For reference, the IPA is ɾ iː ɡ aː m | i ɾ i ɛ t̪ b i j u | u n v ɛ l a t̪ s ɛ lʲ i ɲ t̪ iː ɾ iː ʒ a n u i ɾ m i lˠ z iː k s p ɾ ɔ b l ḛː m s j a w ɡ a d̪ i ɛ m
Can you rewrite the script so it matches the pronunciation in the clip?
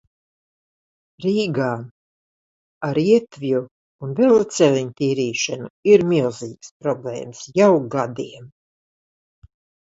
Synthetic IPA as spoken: ɾ iː ɡ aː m | a ɾ i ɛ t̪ v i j u | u n v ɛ l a t̪ s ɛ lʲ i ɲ t̪ iː ɾ iː ʃ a n u i ɾ m i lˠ z iː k s p ɾ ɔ b l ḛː m s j a w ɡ a d̪ i ɛ m